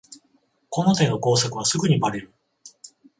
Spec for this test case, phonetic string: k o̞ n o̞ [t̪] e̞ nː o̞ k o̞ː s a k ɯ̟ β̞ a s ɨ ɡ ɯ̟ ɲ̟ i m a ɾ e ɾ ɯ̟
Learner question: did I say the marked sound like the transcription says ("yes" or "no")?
yes